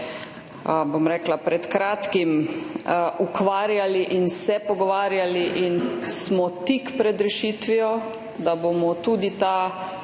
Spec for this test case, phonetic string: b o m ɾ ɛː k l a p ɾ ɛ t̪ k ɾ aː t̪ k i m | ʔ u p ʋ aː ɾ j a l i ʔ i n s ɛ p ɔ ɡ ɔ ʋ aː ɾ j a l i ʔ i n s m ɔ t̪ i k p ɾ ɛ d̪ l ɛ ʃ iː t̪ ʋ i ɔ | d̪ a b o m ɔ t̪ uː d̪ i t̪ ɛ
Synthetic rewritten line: b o m ɾ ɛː k l a p ɾ ɛ t̪ k ɾ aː t̪ k i m | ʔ u k ʋ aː ɾ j a l i ʔ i n s ɛ p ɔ ɡ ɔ ʋ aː ɾ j a l i ʔ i n s m ɔ t̪ i k p ɾ ɛ d̪ ɾ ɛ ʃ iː t̪ ʋ i ɔ | d̪ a b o m ɔ t̪ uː d̪ i t̪ a